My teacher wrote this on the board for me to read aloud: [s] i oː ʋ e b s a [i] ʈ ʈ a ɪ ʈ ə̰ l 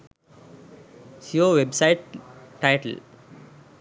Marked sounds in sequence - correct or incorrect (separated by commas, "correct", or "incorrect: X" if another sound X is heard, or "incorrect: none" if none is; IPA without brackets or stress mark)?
correct, incorrect: ɪ